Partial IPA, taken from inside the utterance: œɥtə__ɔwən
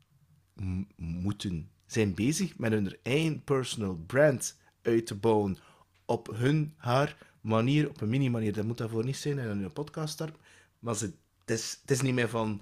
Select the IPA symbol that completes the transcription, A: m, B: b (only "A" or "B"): B